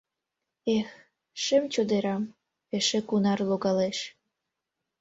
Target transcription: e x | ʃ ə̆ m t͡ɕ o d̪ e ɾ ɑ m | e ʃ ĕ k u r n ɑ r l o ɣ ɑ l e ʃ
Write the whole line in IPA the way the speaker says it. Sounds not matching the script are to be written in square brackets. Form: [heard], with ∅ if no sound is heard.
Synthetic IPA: e x | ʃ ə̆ m t͡ɕ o d̪ e ɾ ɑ m | e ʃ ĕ k u [∅] n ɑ r l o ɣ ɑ l e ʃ